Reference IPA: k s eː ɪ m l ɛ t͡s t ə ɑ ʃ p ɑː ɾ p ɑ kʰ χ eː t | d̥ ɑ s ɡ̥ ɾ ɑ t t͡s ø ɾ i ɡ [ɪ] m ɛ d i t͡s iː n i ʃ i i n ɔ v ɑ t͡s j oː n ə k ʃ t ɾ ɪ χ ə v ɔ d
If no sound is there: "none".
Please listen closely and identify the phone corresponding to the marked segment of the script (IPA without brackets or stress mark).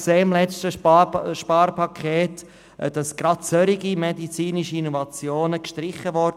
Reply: i